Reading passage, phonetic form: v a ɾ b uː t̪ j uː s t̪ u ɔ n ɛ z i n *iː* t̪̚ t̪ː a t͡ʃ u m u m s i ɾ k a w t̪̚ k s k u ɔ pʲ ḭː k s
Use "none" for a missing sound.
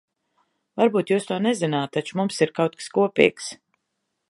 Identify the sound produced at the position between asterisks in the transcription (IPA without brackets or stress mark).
aː